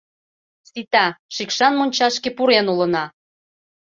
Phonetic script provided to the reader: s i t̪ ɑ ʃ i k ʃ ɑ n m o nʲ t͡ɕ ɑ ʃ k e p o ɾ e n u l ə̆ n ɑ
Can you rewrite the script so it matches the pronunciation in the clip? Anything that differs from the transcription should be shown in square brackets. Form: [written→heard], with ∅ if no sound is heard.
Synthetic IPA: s i t̪ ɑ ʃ i k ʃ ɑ n m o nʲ t͡ɕ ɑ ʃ k e p [o→u] ɾ e n u l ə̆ n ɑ